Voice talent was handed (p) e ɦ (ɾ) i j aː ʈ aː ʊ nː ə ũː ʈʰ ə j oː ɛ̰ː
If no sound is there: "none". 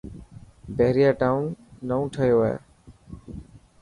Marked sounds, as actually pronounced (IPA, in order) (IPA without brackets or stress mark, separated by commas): b, ɾ